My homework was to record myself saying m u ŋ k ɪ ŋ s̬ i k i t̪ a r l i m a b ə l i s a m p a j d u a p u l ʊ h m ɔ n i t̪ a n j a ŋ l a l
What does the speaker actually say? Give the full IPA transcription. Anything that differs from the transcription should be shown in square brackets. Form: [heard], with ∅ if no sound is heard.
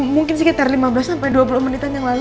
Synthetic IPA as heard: m u ŋ k ɪ [n] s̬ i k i t̪ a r l i m a b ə l [a] s a m p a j d u a p u l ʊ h m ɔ n i t̪ a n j a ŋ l a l